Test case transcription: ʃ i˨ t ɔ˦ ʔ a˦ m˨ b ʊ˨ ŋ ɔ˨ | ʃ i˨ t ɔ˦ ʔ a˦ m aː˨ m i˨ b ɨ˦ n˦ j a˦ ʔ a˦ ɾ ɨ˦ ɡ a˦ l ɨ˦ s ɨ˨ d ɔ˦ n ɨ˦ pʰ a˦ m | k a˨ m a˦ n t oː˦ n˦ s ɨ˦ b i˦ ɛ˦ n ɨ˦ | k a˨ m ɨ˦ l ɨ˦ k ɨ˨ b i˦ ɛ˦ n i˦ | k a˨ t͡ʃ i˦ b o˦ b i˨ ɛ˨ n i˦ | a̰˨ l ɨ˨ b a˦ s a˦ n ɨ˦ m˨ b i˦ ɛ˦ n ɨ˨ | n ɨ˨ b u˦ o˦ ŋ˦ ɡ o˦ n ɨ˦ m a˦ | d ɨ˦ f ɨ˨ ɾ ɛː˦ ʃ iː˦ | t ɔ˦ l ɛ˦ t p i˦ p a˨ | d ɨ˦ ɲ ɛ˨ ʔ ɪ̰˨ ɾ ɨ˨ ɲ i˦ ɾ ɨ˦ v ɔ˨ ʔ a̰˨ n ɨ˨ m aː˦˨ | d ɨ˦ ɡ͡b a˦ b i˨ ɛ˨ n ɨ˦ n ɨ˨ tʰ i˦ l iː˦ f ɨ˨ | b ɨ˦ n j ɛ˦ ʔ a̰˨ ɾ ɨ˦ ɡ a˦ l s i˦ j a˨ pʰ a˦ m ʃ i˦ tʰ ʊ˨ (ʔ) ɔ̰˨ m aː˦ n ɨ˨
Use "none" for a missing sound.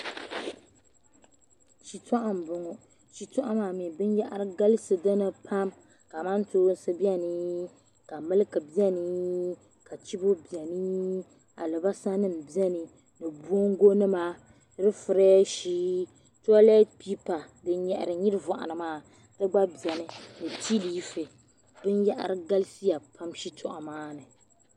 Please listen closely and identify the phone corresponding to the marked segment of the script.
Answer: ʔ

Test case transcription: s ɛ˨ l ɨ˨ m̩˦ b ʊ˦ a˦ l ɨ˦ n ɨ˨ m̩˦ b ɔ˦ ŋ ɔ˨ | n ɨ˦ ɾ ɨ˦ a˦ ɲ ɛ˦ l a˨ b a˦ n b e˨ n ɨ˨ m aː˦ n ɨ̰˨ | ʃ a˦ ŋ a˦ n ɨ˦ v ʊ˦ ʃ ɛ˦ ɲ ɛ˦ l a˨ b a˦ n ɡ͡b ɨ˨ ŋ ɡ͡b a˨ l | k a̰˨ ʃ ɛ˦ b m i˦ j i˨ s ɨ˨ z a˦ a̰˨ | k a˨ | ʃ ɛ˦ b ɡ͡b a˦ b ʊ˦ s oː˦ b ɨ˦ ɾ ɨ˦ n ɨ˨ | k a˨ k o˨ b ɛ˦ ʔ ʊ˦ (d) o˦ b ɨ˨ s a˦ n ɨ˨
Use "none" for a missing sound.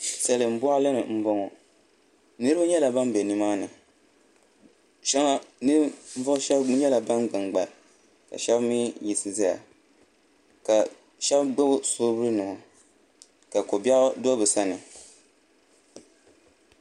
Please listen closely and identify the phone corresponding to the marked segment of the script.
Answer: d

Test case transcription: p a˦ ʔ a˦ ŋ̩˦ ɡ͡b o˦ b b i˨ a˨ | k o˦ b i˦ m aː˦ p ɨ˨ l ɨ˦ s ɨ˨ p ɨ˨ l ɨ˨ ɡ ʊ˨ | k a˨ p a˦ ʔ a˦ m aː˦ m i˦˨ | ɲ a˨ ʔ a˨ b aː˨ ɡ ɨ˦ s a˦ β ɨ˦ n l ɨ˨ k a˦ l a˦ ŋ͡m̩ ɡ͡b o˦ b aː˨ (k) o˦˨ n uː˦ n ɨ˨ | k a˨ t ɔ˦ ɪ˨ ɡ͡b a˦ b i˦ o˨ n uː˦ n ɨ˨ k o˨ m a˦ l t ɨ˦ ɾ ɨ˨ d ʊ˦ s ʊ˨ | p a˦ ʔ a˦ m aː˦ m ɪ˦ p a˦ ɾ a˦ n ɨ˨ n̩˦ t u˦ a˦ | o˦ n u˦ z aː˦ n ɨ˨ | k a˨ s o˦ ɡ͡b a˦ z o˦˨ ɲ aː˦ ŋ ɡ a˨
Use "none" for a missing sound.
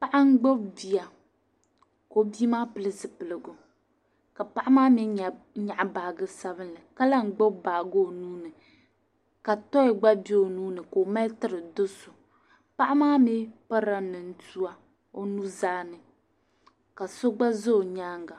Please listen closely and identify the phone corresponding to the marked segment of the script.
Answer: ɡ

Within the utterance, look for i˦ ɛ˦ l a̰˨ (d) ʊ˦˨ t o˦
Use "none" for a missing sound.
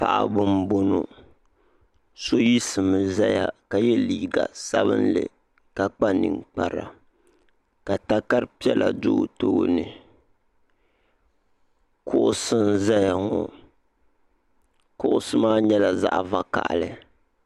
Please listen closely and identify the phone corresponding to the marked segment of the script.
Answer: d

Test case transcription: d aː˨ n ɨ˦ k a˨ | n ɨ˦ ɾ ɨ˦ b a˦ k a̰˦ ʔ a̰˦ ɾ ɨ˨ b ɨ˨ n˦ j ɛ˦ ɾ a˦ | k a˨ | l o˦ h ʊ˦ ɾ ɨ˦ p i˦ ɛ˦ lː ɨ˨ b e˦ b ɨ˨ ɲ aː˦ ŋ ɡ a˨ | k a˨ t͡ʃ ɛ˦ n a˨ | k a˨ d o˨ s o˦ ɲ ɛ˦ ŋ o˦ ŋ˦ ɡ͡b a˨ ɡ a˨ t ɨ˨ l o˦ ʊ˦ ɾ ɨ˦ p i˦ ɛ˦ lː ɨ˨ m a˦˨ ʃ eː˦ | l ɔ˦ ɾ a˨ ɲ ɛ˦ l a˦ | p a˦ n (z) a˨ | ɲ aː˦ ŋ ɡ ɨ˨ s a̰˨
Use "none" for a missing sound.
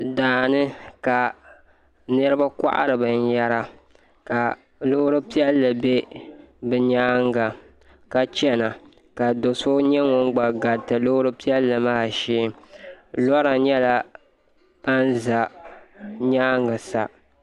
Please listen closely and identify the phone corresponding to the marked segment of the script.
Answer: z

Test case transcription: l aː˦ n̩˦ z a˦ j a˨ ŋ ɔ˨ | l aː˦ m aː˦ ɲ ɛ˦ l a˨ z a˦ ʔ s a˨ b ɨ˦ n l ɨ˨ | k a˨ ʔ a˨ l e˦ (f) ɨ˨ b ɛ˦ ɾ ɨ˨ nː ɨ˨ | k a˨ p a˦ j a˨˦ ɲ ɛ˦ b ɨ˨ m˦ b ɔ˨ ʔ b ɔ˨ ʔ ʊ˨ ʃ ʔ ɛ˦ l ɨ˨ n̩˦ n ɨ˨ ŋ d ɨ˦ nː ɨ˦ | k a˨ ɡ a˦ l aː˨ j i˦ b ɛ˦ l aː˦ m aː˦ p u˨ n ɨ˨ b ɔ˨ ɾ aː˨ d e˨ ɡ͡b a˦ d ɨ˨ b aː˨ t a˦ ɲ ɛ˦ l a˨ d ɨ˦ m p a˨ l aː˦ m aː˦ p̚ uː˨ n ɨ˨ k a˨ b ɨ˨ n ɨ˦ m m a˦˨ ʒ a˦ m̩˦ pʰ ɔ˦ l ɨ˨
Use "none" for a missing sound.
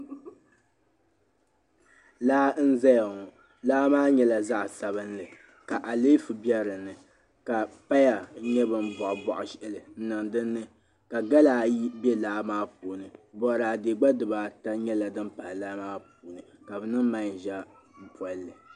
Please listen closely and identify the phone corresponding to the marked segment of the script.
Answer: f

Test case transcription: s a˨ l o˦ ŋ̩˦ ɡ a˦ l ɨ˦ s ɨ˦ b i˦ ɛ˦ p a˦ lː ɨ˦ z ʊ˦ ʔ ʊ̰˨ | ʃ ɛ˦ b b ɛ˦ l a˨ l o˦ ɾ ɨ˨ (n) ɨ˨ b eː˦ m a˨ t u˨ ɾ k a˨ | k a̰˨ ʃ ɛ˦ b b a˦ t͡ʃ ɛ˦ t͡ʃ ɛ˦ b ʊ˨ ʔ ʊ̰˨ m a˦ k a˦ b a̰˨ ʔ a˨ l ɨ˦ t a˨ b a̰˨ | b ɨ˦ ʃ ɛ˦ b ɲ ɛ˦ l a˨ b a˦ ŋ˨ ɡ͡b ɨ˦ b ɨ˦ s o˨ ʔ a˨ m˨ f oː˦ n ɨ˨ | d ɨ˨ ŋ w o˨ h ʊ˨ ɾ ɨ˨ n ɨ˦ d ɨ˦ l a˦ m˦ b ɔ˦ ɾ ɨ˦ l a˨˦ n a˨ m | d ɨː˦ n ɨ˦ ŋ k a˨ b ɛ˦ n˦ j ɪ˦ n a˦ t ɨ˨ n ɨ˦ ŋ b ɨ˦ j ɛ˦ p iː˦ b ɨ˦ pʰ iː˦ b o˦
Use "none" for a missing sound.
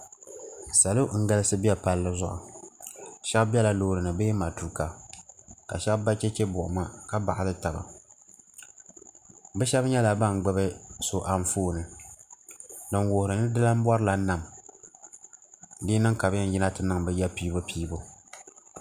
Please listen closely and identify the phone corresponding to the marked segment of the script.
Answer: n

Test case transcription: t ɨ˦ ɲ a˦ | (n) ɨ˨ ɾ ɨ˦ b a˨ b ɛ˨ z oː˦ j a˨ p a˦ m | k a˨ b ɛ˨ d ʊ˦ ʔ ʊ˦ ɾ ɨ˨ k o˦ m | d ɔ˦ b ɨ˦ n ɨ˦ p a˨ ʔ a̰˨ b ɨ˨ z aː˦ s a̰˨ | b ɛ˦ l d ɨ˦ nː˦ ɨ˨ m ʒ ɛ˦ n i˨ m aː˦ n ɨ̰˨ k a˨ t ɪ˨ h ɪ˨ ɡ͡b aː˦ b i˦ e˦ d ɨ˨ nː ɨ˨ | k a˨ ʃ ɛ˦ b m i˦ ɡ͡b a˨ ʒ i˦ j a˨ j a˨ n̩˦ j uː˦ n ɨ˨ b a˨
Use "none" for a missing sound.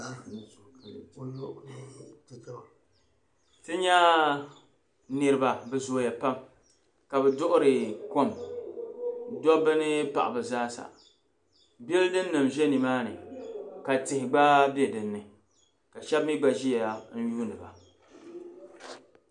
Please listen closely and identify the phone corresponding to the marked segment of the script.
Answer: n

